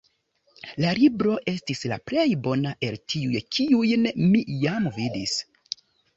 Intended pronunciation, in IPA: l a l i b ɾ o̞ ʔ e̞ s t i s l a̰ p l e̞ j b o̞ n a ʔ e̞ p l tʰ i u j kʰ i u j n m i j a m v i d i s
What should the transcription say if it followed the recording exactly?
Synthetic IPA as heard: l a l i b ɾ o̞ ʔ e̞ s t i s l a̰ p l e̞ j b o̞ n a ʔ e̞ l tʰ i u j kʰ i u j n m i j a m v i d i s